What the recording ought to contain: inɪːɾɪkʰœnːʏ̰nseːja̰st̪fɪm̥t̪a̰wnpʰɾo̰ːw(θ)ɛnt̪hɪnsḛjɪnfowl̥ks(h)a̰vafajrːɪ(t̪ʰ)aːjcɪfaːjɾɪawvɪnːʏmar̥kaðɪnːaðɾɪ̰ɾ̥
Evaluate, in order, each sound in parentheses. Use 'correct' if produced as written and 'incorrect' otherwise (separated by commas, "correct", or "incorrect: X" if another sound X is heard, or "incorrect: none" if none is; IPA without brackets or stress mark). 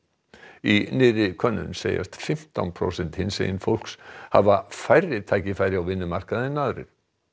incorrect: s, correct, correct